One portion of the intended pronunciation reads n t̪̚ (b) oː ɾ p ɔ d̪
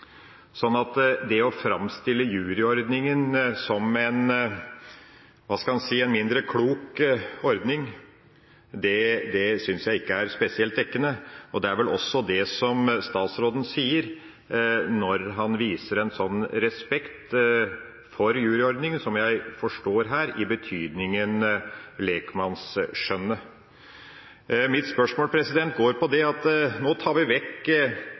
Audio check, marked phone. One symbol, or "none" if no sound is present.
ɡ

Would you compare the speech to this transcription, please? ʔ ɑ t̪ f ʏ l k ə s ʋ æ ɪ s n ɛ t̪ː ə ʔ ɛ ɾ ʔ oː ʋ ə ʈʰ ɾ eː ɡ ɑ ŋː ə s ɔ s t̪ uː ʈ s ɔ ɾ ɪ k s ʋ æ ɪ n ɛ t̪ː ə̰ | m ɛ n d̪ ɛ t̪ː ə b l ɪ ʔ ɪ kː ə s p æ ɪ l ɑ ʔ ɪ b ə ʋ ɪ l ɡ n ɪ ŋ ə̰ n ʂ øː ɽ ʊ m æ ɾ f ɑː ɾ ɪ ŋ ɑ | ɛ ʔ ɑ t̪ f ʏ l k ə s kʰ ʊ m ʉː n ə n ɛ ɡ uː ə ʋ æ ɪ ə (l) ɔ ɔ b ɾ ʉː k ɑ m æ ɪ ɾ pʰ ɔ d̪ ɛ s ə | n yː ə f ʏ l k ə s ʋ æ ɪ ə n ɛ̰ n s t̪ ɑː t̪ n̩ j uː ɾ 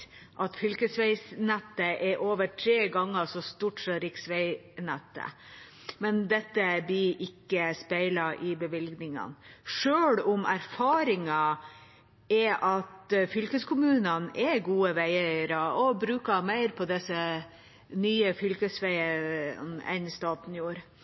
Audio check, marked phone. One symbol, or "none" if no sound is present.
ɾ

